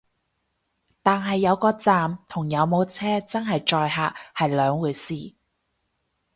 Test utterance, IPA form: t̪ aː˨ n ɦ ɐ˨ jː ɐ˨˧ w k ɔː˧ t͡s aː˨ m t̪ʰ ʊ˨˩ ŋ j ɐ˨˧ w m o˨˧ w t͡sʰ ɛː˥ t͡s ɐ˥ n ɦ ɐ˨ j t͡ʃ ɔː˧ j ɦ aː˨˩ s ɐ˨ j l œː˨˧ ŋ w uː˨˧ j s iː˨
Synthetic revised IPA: t̪ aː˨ n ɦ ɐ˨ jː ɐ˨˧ w k ɔː˧ t͡s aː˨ m t̪ʰ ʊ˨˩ ŋ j ɐ˨˧ w m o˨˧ w t͡sʰ ɛː˥ t͡s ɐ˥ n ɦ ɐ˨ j t͡ʃ ɔː˧ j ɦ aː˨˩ h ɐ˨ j l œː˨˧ ŋ w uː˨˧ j s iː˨